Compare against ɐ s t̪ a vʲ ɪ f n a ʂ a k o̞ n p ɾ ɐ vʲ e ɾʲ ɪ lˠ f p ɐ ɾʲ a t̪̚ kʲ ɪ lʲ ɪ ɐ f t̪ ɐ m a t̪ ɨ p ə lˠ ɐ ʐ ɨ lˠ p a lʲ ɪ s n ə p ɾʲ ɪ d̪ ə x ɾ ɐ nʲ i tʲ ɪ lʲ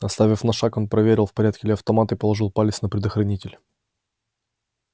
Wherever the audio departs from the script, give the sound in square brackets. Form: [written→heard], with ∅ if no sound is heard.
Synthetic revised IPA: ɐ s t̪ a vʲ ɪ f n [a→ɐ] ʂ a k o̞ n p ɾ ɐ vʲ e ɾʲ ɪ lˠ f p ɐ ɾʲ a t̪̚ kʲ ɪ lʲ ɪ ɐ f t̪ ɐ m a t̪ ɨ p ə lˠ ɐ ʐ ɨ lˠ p a lʲ ɪ s n ə p ɾʲ ɪ d̪ ə x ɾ ɐ nʲ i tʲ ɪ lʲ

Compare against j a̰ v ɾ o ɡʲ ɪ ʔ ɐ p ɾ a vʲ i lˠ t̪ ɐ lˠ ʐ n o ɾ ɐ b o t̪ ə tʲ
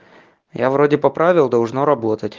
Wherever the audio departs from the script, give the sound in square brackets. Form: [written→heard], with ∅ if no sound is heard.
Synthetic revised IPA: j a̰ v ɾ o [ɡʲ→dʲ] ɪ [ʔ→p] ɐ p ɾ a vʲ [i→ɪ] lˠ [t̪→d̪] ɐ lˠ ʐ n o ɾ ɐ b o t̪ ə tʲ

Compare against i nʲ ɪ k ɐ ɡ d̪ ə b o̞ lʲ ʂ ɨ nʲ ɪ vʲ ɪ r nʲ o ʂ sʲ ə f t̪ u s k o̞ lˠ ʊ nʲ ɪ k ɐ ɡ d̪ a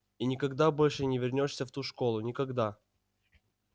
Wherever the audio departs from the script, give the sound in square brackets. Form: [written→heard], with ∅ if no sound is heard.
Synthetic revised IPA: i nʲ ɪ k ɐ ɡ d̪ [ə→a] b o̞ lʲ ʂ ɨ nʲ ɪ vʲ ɪ r nʲ o ʂ sʲ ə f t̪ u [s→ʂ] k o̞ lˠ ʊ nʲ ɪ k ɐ ɡ d̪ a

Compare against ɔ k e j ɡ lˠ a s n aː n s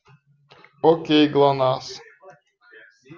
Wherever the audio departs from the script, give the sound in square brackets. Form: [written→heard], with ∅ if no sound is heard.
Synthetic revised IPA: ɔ k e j ɡ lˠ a [s→∅] n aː [n→∅] s

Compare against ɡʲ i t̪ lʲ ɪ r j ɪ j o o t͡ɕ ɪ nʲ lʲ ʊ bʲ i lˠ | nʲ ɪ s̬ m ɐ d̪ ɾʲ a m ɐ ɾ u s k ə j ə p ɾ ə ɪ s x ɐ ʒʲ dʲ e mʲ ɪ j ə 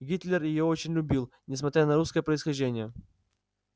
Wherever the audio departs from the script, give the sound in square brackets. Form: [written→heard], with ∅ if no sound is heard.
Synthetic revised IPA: ɡʲ i t̪ lʲ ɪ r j ɪ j o o t͡ɕ ɪ nʲ lʲ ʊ bʲ i lˠ | nʲ ɪ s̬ m ɐ [d̪→t̪] ɾʲ a [m→n] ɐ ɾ u s k ə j ə p ɾ ə ɪ s x ɐ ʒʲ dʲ e [mʲ→nʲ] ɪ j ə

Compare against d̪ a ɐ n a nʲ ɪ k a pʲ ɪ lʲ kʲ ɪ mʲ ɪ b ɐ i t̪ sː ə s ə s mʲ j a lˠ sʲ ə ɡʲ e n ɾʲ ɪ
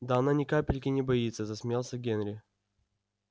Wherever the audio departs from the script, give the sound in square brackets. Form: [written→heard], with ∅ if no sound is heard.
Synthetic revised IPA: d̪ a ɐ n a nʲ ɪ k a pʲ ɪ lʲ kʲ ɪ [mʲ→nʲ] ɪ b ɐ i t̪ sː ə [s→z] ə s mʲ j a lˠ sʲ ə ɡʲ e n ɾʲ ɪ

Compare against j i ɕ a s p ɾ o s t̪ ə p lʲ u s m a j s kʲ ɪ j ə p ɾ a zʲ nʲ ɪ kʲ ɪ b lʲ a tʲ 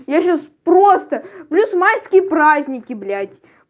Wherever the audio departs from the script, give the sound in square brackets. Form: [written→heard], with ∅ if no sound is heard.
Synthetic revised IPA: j [i→a] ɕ a s p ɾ o s t̪ ə p lʲ u s m a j s kʲ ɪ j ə p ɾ a zʲ nʲ ɪ kʲ ɪ b lʲ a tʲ

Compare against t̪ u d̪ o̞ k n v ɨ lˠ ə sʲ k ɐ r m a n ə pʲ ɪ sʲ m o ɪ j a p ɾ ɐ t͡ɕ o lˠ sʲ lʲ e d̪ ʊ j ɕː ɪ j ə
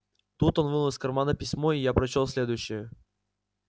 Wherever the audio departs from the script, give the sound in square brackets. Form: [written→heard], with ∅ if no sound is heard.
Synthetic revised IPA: t̪ u [d̪→t̪] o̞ [k→∅] n v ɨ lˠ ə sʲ k ɐ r m a n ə pʲ ɪ sʲ m o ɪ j a p ɾ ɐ t͡ɕ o lˠ sʲ lʲ e d̪ ʊ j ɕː ɪ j ə

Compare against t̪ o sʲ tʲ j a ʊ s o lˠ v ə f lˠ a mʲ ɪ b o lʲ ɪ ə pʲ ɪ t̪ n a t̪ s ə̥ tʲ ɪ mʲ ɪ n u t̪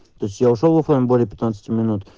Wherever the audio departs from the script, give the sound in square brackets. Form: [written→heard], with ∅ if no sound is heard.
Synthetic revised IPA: t̪ o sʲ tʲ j a ʊ [s→ʂ] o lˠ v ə f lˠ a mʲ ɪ b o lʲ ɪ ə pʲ ɪ t̪ n a t̪ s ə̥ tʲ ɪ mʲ ɪ n u t̪

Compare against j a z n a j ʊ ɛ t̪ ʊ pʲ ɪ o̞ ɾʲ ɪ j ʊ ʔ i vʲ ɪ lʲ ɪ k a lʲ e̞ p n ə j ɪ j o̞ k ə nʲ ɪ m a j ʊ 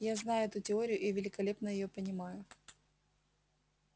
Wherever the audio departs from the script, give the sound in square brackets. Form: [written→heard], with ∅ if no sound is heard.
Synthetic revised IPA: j a z n a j ʊ ɛ t̪ ʊ [pʲ→tʲ] ɪ o̞ ɾʲ ɪ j ʊ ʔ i vʲ ɪ lʲ ɪ k [a→ɐ] lʲ e̞ p n ə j ɪ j o̞ [k→p] ə nʲ ɪ m a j ʊ

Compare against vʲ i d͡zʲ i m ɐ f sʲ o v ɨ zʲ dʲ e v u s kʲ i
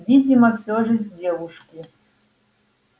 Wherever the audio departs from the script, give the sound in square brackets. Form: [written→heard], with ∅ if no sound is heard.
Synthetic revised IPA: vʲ i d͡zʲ i m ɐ f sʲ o [v→ʐ] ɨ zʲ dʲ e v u [s→ʂ] kʲ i

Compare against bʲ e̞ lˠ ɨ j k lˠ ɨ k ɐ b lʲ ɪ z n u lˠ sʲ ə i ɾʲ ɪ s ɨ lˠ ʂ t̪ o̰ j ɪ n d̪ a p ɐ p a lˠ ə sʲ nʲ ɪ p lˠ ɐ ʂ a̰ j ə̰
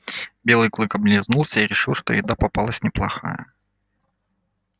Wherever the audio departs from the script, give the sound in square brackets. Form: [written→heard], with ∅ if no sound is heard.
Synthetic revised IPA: bʲ e̞ lˠ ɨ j k lˠ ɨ k ɐ b lʲ ɪ z n u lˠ sʲ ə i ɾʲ ɪ [s→ʂ] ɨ lˠ ʂ t̪ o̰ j ɪ [n→∅] d̪ a p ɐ p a lˠ ə sʲ nʲ ɪ p lˠ ɐ [ʂ→x] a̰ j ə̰

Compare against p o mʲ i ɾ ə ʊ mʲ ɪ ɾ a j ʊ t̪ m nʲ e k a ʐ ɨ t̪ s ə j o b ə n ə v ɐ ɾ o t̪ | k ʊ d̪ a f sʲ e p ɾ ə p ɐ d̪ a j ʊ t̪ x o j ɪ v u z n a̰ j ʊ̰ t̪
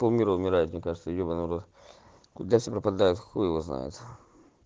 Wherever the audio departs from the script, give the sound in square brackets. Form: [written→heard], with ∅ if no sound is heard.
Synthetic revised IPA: p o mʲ i ɾ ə ʊ mʲ ɪ ɾ a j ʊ t̪ m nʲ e k a ʐ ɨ t̪ s ə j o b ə n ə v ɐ ɾ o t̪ | k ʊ d̪ a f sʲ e p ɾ ə p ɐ d̪ a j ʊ t̪ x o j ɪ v [u→o] z n a̰ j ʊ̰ t̪

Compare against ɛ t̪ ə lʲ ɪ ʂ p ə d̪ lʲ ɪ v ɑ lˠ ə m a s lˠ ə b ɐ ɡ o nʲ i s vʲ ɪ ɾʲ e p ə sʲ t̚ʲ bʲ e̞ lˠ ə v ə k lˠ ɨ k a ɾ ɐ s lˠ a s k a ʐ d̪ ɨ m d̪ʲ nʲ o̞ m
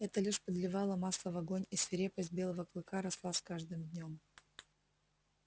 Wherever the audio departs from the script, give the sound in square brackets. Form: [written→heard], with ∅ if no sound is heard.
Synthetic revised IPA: ɛ t̪ ə lʲ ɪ ʂ p ə d̪ lʲ ɪ v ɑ lˠ ə m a s lˠ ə [b→v] ɐ ɡ o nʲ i s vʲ ɪ ɾʲ e p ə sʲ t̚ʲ bʲ e̞ lˠ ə v ə k lˠ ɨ k a ɾ ɐ s lˠ a s k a ʐ d̪ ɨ m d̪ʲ nʲ o̞ m

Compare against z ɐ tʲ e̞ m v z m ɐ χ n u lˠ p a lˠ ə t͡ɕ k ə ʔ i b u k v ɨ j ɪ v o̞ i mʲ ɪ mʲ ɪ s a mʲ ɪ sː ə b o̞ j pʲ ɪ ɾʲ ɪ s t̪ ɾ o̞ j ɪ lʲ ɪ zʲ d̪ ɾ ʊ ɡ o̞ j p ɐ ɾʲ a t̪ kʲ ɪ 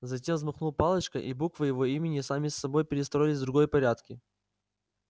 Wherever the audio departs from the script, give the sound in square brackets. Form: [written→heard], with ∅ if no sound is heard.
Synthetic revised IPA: z ɐ tʲ e̞ m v z m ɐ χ n u lˠ p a lˠ ə t͡ɕ k ə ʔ i b u k v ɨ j ɪ v o̞ i mʲ ɪ [mʲ→nʲ] ɪ s a mʲ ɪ sː [ə→ɐ] b o̞ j pʲ ɪ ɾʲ ɪ s t̪ ɾ o̞ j ɪ lʲ ɪ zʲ d̪ ɾ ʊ ɡ o̞ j p ɐ ɾʲ a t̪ kʲ ɪ

